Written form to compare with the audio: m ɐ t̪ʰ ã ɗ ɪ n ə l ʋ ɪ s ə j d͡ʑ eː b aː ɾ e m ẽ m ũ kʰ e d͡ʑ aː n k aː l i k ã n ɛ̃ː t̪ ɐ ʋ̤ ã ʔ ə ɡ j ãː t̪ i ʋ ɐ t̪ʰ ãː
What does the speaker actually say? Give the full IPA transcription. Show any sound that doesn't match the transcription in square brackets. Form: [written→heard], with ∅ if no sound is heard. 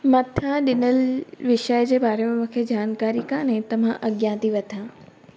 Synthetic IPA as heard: m ɐ t̪ʰ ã ɗ ɪ n ə l ʋ ɪ [s→ʃ] ə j d͡ʑ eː b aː ɾ e m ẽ m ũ kʰ e d͡ʑ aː n k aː [l→ɾ] i k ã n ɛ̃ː t̪ ɐ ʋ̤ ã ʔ [ə→ɐ] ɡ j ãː t̪ i ʋ ɐ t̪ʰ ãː